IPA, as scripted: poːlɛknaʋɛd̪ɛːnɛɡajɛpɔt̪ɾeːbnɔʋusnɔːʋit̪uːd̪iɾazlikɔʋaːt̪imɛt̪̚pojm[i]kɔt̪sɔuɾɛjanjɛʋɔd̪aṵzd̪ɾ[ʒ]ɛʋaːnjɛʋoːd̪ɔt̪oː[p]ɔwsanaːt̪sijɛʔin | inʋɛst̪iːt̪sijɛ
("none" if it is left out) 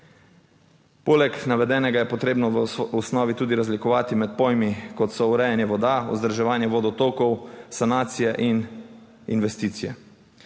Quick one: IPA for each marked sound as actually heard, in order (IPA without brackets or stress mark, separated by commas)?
i, ʒ, k